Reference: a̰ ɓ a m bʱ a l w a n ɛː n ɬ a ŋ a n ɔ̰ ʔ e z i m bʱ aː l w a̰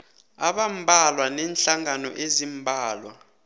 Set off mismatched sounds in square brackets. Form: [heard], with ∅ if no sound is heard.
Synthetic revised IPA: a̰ ɓ a m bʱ a l w a n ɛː n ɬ a ŋ a n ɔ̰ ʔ e z i m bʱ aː l w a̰